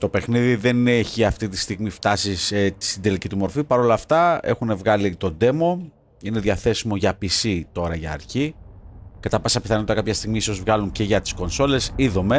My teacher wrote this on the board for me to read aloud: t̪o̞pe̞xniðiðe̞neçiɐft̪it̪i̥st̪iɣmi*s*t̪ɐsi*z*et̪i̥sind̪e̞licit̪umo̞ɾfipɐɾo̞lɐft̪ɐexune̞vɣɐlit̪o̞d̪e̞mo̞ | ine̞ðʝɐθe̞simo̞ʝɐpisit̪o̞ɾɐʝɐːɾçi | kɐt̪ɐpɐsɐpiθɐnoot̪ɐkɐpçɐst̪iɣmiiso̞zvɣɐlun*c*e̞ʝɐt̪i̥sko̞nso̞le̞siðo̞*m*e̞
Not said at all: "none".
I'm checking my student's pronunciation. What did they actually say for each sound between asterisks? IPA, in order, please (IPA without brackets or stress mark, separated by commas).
f, s, c, m